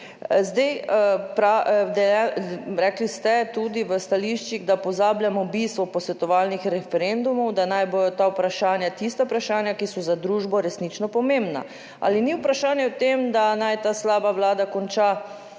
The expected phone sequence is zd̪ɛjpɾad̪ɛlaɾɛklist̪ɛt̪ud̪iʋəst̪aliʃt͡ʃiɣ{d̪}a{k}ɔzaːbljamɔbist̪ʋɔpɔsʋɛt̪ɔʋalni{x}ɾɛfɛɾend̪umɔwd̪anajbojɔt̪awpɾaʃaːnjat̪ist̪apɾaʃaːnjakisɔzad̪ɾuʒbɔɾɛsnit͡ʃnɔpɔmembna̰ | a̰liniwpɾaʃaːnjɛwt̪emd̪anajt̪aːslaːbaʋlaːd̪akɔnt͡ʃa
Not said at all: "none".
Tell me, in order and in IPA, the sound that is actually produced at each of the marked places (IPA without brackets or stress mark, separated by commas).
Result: d̪, p, x